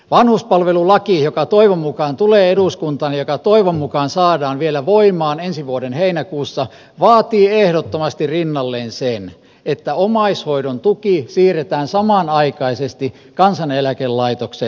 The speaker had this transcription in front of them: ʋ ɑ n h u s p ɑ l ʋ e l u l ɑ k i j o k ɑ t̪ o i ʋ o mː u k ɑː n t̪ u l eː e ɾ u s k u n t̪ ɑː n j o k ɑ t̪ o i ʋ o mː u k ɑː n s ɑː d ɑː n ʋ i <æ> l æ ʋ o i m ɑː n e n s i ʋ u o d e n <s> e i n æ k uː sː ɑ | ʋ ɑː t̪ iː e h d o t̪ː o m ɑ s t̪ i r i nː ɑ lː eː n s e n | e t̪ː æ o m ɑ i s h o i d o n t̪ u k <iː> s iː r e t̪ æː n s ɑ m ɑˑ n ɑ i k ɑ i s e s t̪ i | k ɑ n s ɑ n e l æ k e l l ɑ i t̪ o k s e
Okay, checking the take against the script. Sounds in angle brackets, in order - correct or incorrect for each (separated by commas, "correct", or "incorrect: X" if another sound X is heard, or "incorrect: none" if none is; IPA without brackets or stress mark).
incorrect: e, incorrect: h, incorrect: i